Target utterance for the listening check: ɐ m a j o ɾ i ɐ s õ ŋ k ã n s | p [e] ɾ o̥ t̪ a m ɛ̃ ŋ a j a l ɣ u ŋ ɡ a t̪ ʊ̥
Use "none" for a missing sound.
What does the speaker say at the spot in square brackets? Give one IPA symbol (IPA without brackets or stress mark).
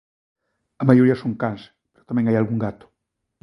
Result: e